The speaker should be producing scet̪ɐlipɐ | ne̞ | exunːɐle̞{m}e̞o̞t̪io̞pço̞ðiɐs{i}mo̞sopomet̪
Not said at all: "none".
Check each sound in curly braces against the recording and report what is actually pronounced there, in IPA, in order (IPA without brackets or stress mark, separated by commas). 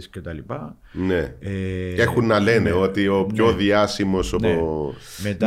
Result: n, i